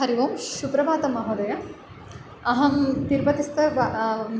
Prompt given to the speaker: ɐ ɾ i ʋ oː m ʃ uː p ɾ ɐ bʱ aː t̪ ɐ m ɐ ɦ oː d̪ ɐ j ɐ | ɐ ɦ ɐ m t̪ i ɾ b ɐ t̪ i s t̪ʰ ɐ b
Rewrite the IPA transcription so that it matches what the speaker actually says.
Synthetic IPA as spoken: ɐ ɾ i ʋ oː m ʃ u p ɾ ɐ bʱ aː t̪ ɐ m ɐ ɦ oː d̪ ɐ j ɐ | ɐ ɦ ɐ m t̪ i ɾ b ɐ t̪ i s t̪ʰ ɐ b